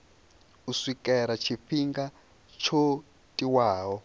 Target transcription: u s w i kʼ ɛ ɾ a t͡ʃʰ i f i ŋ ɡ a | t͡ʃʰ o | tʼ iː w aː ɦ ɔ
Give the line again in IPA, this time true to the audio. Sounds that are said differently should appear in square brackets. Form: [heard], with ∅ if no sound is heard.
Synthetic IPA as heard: u s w i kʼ ɛ ɾ a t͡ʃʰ i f i ŋ ɡ a | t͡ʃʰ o | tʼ [i] w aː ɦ ɔ